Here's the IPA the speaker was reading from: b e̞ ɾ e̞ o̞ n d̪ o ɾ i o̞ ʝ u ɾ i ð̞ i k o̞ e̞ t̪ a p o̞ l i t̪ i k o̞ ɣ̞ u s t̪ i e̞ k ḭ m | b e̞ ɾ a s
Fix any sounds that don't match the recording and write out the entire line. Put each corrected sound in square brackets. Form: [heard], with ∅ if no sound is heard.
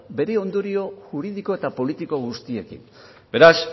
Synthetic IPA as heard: b e̞ ɾ e̞ o̞ n d̪ o ɾ i o̞ ʝ u ɾ i ð̞ i k o̞ e̞ t̪ a p o̞ l i t̪ i k o̞ ɣ̞ u s t̪ i e̞ k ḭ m | b e̞ ɾ a s